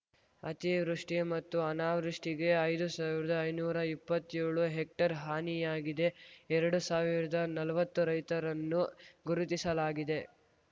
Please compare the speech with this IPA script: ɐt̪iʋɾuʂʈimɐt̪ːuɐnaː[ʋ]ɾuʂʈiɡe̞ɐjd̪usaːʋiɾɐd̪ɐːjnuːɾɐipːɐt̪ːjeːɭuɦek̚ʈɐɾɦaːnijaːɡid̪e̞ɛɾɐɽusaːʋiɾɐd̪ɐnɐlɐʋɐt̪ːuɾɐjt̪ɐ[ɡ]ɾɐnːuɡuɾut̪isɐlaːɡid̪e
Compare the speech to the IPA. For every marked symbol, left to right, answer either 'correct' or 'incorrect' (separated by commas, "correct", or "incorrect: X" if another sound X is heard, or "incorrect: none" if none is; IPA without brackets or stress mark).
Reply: correct, incorrect: none